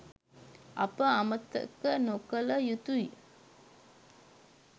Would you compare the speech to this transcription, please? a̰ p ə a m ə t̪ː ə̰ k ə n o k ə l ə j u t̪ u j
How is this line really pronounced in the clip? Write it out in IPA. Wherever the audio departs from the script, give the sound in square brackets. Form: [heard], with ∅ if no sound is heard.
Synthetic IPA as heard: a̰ p ə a m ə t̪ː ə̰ k ə n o k ə l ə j u t̪ u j